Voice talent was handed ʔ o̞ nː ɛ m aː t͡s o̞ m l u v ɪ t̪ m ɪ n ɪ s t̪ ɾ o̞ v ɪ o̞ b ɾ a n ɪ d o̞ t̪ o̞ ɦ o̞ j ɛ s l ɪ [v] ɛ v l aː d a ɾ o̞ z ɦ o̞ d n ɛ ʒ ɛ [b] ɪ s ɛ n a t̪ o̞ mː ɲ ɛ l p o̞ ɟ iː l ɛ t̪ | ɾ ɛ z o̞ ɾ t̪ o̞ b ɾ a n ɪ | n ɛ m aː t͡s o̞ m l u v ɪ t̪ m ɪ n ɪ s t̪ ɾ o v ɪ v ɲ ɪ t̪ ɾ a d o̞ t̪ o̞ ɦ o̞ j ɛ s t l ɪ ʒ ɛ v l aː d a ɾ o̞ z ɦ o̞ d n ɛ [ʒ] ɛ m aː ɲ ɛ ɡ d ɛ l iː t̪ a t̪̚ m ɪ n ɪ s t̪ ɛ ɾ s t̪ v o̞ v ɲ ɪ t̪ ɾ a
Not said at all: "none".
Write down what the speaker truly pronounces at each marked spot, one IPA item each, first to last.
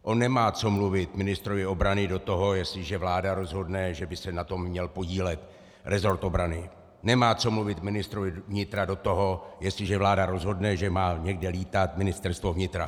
ʒ, b, ʒ

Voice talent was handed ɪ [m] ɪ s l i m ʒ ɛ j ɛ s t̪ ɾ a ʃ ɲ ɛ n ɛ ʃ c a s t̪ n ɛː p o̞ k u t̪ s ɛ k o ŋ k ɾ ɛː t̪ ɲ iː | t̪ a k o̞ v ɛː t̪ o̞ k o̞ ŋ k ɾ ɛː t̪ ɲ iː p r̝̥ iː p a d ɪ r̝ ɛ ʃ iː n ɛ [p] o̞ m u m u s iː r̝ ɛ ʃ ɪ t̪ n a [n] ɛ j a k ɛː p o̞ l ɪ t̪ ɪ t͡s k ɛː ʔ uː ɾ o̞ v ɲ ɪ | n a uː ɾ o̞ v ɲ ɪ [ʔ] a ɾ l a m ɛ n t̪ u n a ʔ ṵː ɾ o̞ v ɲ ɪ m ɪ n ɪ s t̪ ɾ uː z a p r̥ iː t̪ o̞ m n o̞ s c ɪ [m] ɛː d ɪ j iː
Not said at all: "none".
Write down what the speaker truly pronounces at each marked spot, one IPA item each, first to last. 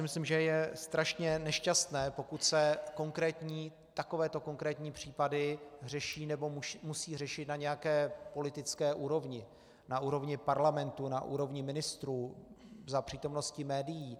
m, b, ɲ, p, m

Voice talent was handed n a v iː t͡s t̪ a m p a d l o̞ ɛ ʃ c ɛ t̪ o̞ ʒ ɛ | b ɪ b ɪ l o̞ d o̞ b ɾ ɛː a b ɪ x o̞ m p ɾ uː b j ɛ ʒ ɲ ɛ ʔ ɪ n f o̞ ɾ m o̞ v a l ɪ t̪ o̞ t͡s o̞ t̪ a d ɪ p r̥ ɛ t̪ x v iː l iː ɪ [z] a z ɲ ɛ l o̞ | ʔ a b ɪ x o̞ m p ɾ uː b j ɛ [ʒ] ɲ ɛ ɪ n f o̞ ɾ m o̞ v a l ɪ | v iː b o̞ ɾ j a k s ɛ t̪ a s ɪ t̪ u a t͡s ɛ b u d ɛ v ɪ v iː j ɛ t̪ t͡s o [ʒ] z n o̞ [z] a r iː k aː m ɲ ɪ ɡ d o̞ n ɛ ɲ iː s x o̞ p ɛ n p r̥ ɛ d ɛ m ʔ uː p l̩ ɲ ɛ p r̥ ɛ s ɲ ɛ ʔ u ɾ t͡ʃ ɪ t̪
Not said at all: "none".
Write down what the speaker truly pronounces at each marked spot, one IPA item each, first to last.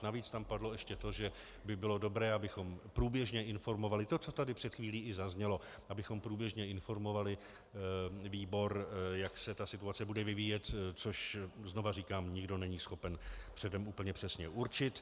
z, ʒ, ʃ, v

